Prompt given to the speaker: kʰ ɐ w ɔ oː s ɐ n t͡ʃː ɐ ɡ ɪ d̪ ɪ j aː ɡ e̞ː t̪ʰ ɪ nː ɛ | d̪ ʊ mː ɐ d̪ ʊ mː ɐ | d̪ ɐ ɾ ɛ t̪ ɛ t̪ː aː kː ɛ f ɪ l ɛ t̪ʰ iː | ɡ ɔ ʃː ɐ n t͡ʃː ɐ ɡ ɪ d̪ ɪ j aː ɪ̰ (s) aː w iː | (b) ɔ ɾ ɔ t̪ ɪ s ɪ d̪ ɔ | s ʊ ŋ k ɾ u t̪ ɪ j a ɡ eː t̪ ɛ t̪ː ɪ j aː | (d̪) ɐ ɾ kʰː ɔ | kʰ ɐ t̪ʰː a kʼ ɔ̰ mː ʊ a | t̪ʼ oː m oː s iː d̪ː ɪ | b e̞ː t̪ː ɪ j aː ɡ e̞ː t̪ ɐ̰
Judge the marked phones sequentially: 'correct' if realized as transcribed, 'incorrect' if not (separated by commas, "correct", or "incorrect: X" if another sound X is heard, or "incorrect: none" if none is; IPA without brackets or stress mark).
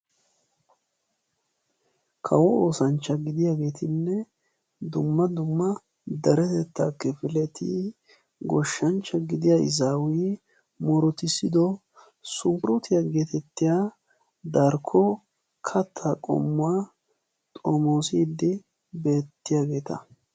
incorrect: z, incorrect: m, correct